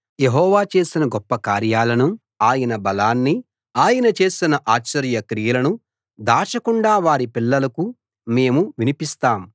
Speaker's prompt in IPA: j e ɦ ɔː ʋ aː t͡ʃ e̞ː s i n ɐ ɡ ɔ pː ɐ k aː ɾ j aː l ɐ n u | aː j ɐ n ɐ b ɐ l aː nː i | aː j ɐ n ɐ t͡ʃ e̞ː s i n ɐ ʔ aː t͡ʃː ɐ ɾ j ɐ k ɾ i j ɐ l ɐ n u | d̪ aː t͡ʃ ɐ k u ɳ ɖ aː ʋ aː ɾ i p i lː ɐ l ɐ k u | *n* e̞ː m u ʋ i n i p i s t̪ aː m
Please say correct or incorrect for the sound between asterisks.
incorrect